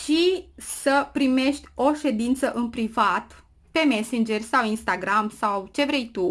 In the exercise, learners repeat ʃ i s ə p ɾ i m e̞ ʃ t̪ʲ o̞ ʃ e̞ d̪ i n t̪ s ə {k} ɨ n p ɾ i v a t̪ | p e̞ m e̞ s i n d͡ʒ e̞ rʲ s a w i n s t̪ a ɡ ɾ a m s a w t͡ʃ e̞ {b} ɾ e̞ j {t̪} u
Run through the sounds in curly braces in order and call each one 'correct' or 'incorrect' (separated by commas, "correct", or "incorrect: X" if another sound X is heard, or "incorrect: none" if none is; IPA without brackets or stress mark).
incorrect: ʔ, incorrect: v, correct